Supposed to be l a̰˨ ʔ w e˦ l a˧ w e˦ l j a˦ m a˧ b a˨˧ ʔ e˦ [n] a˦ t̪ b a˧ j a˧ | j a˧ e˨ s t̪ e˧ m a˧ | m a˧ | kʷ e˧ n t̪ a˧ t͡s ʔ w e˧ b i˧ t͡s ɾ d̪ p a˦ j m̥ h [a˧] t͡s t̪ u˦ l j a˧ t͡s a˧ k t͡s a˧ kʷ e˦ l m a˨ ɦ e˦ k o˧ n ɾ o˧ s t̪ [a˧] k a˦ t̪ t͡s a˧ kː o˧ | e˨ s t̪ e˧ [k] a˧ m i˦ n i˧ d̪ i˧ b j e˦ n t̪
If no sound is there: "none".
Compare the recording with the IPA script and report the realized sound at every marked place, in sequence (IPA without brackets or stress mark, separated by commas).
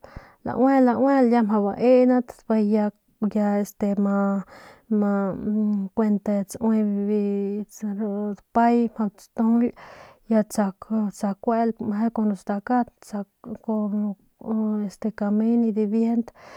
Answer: n, a˧, a˧, k